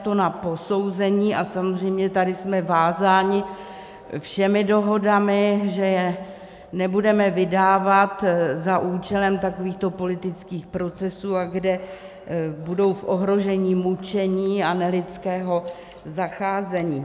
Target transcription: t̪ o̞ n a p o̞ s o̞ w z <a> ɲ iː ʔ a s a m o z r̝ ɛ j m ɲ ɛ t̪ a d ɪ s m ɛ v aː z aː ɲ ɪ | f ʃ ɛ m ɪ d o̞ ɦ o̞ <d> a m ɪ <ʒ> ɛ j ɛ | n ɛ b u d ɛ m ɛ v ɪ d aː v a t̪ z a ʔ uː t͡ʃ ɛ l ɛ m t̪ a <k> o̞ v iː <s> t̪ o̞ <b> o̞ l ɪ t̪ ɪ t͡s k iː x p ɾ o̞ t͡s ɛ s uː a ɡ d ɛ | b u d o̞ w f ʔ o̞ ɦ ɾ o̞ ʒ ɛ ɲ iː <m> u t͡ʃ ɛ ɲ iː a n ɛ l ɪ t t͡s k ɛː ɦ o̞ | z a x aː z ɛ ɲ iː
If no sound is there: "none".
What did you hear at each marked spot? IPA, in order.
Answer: ɛ, d, ʒ, k, x, p, m

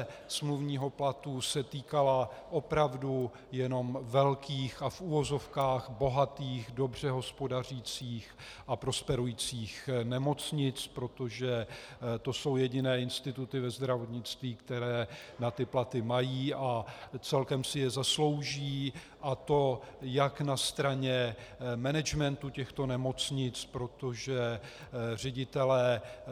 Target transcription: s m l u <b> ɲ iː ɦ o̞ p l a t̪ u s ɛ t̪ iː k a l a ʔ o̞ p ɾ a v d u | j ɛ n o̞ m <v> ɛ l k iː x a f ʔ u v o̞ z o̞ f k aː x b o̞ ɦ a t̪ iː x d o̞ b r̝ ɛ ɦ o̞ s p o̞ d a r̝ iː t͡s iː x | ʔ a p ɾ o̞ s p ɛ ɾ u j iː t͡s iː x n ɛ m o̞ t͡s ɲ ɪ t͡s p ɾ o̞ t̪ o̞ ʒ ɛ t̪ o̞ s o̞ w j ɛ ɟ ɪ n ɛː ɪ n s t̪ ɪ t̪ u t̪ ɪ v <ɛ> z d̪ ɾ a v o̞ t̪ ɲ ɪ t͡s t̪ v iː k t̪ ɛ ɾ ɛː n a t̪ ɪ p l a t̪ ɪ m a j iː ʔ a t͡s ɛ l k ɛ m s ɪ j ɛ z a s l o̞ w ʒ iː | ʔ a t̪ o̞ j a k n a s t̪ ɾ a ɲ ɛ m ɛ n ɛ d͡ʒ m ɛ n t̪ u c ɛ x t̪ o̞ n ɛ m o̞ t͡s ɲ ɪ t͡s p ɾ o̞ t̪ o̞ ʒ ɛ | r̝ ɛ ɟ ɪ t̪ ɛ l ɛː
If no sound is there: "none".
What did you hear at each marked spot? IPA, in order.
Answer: v, v, ɛ

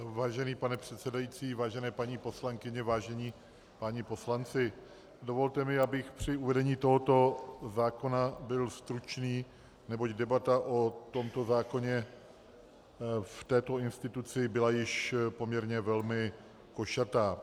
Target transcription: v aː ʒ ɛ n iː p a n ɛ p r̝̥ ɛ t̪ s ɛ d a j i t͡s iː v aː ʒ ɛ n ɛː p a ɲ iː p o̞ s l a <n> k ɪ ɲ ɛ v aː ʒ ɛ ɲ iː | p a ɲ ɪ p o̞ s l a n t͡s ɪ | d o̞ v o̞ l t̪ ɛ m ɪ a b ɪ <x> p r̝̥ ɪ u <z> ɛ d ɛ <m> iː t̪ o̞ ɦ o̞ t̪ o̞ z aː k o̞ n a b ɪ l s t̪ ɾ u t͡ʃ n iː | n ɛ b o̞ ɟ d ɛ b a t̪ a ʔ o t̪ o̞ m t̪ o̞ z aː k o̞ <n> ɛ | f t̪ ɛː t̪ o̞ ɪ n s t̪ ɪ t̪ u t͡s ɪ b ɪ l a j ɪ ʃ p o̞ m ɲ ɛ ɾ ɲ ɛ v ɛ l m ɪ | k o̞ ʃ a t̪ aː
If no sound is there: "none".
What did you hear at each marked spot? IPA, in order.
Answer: ŋ, x, v, ɲ, ɲ

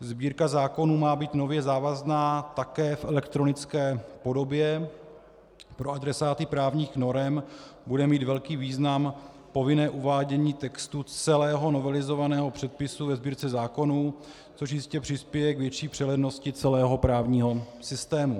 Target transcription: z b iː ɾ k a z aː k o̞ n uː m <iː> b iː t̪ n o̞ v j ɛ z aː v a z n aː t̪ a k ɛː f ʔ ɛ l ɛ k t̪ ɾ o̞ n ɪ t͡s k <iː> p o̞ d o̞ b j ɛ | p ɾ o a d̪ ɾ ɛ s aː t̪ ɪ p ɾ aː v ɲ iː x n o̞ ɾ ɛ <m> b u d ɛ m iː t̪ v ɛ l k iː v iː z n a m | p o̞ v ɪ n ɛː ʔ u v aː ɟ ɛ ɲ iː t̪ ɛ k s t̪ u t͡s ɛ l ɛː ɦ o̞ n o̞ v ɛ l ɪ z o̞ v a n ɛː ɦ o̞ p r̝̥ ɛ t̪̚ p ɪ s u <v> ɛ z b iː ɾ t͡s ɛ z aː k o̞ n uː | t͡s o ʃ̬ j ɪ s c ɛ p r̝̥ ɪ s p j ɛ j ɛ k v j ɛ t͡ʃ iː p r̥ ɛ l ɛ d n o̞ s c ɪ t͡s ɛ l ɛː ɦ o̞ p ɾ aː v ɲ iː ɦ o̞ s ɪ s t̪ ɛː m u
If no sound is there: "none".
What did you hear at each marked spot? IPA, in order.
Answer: aː, ɛː, m, v

